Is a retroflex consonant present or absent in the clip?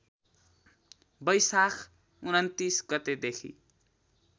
absent